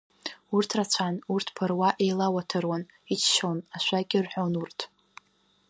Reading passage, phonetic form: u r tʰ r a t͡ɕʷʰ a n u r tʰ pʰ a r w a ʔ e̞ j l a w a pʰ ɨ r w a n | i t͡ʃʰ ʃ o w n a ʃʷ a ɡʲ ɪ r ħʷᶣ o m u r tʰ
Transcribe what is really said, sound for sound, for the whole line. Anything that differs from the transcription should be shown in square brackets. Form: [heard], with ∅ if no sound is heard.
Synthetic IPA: u r tʰ r a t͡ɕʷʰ a n u r tʰ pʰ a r w a ʔ e̞ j l a w a [tʰ] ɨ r w a n | i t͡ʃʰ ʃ o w n a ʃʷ a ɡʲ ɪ r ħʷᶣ o [n] u r tʰ